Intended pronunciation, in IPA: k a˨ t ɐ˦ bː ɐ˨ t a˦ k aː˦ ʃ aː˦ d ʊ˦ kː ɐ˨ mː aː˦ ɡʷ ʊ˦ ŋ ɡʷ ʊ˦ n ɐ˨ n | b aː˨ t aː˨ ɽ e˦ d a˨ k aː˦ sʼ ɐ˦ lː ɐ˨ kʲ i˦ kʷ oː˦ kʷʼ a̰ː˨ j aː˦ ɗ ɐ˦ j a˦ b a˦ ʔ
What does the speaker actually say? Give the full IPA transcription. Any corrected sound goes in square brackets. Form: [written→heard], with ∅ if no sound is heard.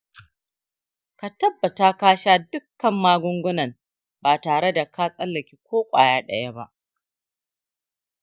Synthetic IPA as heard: k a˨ t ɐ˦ bː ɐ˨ t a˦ k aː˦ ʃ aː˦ d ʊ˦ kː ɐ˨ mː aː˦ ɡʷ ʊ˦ ŋ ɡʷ ʊ˦ n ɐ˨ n | b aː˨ t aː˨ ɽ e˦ d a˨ k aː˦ sʼ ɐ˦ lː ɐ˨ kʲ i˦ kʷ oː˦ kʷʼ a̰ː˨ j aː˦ ɗ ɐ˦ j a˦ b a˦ ʔ